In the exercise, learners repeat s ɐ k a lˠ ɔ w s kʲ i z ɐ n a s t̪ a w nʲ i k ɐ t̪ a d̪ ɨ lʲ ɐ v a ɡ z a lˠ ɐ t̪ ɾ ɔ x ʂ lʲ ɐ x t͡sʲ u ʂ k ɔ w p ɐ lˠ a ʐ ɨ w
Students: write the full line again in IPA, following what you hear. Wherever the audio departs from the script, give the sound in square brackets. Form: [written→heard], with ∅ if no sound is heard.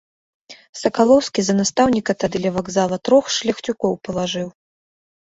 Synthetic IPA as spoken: s ɐ k a lˠ ɔ w s kʲ i z ɐ n a s t̪ a w nʲ i k ɐ t̪ a d̪ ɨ lʲ ɐ v a ɡ z a lˠ ɐ t̪ ɾ ɔ x ʂ lʲ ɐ x t͡sʲ u [ʂ→∅] k ɔ w p ɐ lˠ a ʐ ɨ w